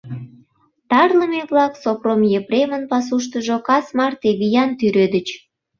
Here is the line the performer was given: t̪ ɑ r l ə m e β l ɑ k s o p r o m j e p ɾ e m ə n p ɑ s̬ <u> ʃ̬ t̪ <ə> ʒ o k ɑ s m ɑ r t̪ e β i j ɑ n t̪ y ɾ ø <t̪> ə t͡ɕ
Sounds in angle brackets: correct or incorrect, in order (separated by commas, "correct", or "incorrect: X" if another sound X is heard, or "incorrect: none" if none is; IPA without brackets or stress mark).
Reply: correct, correct, incorrect: d̪